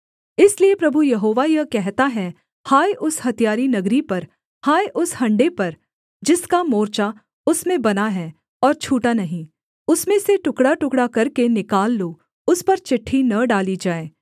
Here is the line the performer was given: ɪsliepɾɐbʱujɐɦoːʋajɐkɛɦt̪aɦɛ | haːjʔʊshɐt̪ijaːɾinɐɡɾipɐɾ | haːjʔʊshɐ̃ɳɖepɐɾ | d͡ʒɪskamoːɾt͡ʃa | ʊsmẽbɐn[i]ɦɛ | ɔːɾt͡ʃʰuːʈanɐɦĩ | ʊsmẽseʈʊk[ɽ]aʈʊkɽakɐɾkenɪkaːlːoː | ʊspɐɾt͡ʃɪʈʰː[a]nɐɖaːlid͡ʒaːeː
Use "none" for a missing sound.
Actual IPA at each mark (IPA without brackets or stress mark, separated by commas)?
a, ɽ, i